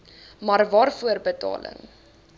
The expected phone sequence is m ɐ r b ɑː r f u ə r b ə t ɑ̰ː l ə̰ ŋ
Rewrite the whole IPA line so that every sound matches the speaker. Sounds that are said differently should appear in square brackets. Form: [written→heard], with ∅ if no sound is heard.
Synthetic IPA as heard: m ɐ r [b→v] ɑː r f u ə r b ə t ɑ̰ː l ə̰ ŋ

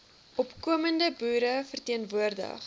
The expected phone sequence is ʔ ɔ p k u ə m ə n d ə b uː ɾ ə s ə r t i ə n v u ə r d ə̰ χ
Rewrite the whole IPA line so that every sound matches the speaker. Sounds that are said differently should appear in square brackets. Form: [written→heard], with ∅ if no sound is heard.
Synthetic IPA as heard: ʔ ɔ p k u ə m ə n d ə b uː ɾ ə [s→f] ə r t i ə n v u ə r d ə̰ χ

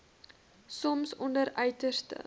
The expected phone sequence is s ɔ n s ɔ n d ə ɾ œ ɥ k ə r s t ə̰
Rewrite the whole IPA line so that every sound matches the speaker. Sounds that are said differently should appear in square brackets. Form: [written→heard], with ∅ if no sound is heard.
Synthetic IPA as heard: s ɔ [n→m] s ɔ n d ə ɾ œ ɥ [k→t] ə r s t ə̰

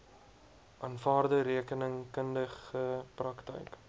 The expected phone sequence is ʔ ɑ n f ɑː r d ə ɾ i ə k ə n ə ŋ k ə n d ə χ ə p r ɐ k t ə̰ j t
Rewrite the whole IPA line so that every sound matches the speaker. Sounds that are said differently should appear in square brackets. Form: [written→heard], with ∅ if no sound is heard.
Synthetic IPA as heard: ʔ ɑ n f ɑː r d ə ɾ i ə k ə n ə ŋ k ə n d ə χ ə p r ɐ k t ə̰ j [t→k]

